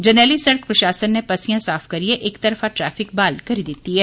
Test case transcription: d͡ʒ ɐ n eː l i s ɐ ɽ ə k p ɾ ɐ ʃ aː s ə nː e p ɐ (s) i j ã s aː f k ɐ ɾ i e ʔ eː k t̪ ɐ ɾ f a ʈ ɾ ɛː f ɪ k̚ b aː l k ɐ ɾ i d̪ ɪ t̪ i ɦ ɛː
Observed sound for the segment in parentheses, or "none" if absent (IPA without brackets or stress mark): s